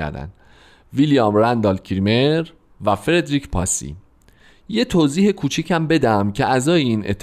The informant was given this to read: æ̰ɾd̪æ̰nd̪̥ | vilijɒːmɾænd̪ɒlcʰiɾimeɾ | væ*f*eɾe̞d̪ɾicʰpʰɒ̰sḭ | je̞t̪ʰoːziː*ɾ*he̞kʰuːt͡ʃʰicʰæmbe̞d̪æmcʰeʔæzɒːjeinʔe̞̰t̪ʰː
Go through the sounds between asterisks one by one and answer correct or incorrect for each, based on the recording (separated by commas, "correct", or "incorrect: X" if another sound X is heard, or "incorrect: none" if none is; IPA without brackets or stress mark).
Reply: correct, incorrect: none